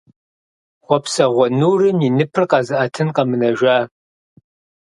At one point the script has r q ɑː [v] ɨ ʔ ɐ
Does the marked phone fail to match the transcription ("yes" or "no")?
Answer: yes